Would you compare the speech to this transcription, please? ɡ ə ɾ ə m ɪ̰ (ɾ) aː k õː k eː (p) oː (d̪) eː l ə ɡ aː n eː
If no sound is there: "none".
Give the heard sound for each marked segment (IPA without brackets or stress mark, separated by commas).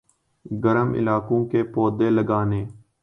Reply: l, p, d̪